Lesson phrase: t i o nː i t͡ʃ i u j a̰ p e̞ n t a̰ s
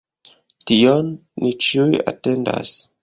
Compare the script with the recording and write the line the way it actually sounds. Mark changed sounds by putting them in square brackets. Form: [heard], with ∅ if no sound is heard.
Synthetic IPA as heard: t i o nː i t͡ʃ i u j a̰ [t] e̞ n [d] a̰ s